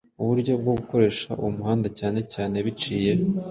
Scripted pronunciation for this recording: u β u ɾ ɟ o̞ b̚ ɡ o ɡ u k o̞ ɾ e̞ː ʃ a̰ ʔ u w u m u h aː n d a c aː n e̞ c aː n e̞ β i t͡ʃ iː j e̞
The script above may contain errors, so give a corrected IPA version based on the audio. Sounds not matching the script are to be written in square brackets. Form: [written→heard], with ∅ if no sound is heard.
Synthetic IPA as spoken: u β u ɾ ɟ o̞ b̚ ɡ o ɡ u k o̞ ɾ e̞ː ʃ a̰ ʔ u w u m u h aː n d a c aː n e̞ c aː n e̞ β i t͡ʃ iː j e̞